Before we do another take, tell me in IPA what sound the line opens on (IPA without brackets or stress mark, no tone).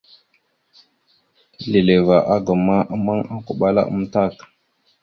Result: l